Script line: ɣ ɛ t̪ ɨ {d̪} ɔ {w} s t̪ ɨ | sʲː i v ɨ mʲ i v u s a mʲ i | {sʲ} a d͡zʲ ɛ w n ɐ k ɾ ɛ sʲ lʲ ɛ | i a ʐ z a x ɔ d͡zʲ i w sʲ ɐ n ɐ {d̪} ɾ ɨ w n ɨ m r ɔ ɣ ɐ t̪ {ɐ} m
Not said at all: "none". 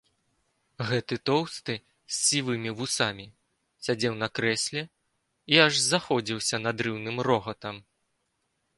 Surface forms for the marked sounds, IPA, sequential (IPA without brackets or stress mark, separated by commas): t̪, w, sʲ, d̪, ɐ